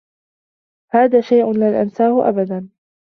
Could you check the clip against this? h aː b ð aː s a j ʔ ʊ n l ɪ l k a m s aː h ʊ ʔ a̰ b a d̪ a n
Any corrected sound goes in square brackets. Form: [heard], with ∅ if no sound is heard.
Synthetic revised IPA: h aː [∅] ð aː [ʃ] a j ʔ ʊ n l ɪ l [ʔ] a [n] s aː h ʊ ʔ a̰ b a d̪ a n